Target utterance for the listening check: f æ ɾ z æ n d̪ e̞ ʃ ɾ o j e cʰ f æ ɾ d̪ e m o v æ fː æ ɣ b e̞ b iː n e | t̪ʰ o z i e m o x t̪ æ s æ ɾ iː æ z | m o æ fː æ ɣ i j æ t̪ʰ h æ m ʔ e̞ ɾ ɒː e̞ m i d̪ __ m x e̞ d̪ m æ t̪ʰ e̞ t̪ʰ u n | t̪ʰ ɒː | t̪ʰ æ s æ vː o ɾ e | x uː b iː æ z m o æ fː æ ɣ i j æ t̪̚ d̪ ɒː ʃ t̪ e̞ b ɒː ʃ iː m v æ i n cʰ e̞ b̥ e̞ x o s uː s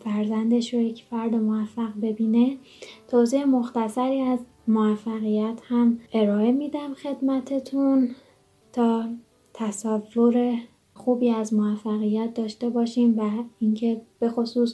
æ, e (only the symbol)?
æ